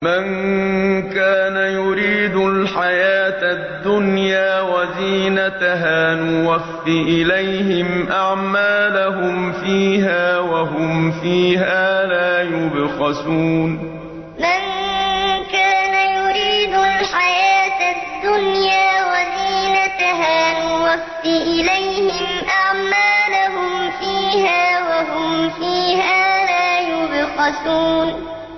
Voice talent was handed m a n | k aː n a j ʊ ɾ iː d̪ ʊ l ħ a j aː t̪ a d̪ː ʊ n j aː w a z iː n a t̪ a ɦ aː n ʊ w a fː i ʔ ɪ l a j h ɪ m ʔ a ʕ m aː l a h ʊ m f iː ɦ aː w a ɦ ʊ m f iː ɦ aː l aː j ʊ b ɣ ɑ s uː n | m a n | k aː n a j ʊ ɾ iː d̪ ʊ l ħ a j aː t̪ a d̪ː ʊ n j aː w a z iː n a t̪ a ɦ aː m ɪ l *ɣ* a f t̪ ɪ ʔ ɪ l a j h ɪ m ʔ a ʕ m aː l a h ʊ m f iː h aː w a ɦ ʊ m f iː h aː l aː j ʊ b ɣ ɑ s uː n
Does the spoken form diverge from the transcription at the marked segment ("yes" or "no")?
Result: yes